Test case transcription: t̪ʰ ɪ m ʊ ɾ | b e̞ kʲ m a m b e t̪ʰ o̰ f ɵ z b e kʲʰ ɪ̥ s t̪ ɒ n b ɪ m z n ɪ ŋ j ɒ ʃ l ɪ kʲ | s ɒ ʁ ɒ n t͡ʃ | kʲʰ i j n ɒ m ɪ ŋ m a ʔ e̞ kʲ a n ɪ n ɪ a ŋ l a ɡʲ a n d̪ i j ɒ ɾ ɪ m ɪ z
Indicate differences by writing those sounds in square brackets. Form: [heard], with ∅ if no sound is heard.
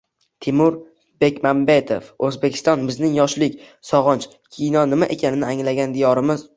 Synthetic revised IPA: t̪ʰ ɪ m ʊ ɾ | b e̞ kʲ m a m b e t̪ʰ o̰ f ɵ z b e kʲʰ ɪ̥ s t̪ ɒ n b ɪ [∅] z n ɪ ŋ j ɒ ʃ l ɪ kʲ | s ɒ ʁ ɒ n t͡ʃ | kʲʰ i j n ɒ [n] ɪ [∅] m a ʔ e̞ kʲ a n ɪ n ɪ a ŋ l a ɡʲ a n d̪ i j ɒ ɾ ɪ m ɪ z